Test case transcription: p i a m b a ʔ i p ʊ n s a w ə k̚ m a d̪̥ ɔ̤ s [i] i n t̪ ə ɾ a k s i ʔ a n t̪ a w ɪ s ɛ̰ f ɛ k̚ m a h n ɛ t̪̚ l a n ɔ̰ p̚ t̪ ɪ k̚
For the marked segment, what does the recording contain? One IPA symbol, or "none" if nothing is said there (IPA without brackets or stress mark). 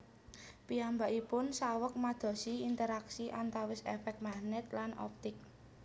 i